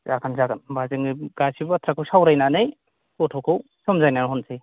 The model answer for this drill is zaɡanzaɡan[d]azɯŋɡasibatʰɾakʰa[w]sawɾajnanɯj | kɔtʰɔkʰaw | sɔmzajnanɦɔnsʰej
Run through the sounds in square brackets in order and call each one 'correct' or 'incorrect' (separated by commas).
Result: incorrect, correct